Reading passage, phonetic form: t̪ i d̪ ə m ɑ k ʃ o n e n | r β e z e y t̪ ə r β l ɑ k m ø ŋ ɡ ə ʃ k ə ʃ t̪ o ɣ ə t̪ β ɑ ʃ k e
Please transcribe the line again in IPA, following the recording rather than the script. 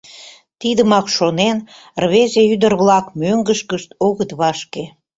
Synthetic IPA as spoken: t̪ i d̪ ə m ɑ k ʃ o n e n | r β e z e y d̪ ə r β l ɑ k m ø ŋ ɡ ə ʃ k ə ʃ t̪ o ɣ ə t̪ β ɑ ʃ k e